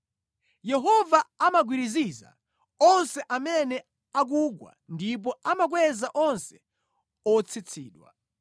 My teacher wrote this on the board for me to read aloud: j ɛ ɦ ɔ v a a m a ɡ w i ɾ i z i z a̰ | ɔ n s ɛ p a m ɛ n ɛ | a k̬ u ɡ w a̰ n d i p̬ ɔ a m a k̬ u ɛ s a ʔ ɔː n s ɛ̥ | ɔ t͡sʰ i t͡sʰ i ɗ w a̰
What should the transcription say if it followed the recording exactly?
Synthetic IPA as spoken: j ɛ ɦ ɔ v a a m a ɡ w i ɾ i z i z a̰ | ɔ n s ɛ ʔ a m ɛ n ɛ | a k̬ u ɡ w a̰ n d i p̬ ɔ a m a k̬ w ɛ z a ʔ ɔ n s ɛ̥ | ɔ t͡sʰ i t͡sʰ iː ɗ w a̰